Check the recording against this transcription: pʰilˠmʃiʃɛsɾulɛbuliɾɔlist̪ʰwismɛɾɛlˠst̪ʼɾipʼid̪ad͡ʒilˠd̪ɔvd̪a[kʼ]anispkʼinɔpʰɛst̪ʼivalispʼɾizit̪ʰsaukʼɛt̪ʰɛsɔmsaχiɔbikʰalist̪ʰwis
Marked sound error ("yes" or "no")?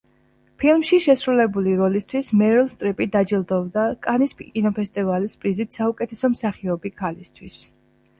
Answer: no